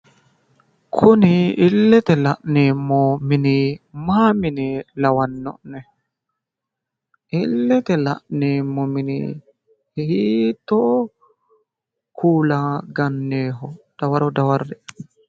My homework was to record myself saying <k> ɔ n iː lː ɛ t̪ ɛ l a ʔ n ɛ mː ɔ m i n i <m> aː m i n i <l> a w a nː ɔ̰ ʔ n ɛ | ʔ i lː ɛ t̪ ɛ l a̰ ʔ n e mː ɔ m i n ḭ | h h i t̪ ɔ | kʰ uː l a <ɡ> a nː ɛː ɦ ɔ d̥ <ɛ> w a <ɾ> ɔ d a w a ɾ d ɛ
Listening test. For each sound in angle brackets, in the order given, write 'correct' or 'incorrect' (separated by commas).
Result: incorrect, correct, correct, correct, incorrect, correct